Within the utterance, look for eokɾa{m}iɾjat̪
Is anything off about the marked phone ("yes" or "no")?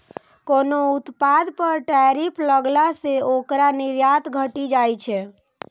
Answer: yes